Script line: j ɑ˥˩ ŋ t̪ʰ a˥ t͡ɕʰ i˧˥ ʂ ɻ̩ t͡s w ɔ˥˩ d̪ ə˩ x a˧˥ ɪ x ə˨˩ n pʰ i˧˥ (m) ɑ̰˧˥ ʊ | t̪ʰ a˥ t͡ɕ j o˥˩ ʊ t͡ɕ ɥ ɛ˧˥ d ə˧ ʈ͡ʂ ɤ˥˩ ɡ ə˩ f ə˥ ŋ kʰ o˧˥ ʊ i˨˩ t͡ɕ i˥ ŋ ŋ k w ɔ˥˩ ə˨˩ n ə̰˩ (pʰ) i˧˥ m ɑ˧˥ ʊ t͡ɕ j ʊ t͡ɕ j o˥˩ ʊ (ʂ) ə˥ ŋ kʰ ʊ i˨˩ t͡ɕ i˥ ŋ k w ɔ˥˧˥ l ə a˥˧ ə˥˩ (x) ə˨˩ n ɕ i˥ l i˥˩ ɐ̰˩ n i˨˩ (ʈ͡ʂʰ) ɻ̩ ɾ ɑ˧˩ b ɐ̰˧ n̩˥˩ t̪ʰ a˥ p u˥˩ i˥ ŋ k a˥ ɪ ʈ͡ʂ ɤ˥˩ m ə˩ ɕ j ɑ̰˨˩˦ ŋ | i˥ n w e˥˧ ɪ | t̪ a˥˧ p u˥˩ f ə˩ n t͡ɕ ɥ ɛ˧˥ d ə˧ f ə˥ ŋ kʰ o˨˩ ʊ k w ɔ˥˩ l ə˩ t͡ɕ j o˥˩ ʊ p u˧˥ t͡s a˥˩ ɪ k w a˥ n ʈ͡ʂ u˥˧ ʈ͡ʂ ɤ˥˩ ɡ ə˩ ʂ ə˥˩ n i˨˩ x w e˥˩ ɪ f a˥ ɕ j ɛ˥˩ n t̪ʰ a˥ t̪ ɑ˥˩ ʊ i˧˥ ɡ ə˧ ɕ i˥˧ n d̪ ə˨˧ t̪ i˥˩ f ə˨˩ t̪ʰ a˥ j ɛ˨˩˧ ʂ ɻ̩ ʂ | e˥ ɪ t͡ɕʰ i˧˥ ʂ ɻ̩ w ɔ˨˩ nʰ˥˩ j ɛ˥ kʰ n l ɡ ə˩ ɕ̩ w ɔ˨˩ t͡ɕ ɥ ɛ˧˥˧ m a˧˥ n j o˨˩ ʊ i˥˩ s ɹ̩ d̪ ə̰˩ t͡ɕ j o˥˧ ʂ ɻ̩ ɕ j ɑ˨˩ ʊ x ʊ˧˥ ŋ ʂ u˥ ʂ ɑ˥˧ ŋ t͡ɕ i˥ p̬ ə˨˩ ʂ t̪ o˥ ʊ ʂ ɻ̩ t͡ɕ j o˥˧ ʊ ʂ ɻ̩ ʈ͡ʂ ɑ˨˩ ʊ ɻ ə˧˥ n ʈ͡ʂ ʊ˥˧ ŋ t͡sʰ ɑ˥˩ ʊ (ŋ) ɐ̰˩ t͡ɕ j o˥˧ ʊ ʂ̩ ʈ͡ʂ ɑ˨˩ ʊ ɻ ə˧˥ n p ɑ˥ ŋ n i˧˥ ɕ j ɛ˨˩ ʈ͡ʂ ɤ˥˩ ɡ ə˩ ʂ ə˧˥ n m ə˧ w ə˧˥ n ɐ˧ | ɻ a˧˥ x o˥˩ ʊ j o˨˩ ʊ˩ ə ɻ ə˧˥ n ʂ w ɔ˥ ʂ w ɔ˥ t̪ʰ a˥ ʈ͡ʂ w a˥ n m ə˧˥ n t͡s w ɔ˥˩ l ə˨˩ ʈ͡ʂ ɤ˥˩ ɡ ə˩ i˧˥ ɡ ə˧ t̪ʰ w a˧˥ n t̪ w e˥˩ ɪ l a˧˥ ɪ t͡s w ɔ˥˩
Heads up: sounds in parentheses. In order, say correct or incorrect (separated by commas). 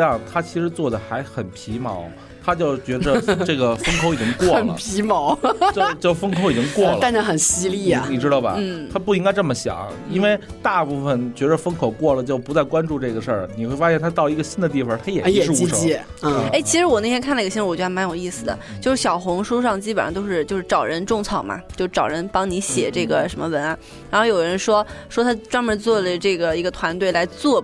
correct, correct, incorrect, correct, incorrect, incorrect